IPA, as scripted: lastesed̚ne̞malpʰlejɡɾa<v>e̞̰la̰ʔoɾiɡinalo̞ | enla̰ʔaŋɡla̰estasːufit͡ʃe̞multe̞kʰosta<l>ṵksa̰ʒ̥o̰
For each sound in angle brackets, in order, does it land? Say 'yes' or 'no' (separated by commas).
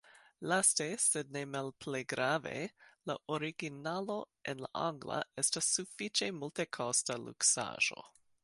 yes, yes